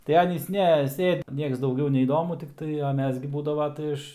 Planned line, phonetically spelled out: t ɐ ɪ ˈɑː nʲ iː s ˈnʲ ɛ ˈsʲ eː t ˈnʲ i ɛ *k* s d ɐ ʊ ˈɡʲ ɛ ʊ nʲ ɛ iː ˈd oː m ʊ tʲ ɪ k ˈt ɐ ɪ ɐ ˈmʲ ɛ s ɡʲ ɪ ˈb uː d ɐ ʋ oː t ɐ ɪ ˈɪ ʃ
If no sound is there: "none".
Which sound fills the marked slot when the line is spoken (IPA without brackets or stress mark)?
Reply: k